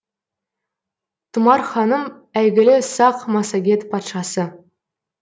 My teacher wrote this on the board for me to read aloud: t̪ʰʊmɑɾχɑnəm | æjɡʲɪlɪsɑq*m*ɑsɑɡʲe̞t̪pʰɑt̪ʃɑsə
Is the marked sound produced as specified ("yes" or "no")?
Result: yes